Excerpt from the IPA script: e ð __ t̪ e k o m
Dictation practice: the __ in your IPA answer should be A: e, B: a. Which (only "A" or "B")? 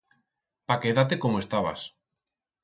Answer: B